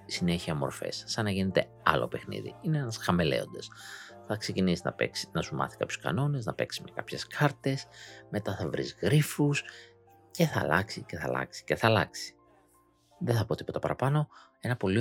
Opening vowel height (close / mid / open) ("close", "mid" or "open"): close